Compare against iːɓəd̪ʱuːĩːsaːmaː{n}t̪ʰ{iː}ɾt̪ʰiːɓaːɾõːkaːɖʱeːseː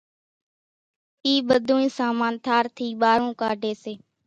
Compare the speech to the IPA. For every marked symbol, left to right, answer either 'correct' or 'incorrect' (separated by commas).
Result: correct, incorrect